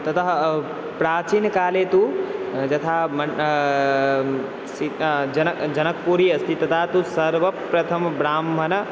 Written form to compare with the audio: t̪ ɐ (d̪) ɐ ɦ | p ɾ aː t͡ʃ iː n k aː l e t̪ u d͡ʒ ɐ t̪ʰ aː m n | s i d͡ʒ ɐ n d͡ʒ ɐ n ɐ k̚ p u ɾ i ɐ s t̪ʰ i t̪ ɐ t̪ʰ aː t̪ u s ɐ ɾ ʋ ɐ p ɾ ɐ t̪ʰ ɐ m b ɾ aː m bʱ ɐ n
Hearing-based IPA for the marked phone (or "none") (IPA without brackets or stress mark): t̪